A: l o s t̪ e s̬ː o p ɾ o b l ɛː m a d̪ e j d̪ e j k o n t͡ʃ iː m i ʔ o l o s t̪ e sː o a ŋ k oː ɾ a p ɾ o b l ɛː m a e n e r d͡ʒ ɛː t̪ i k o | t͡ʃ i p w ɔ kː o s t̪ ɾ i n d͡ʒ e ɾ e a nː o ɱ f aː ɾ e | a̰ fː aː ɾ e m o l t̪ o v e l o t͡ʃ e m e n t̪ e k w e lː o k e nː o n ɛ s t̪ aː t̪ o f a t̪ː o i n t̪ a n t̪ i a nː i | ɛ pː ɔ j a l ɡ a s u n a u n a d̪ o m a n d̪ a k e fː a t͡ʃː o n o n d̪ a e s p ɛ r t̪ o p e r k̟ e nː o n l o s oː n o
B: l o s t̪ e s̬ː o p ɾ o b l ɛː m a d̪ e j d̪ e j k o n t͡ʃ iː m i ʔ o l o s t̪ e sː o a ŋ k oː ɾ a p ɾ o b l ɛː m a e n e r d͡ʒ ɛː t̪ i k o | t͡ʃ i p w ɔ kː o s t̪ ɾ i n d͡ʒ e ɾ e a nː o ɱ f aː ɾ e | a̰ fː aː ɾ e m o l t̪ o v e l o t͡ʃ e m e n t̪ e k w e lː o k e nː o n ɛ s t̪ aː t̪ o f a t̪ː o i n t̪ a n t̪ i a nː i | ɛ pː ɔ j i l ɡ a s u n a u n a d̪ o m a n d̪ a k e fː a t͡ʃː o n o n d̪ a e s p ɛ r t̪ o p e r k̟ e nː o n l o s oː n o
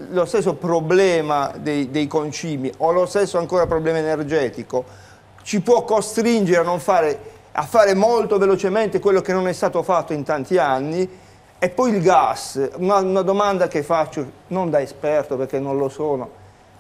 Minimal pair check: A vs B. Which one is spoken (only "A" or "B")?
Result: B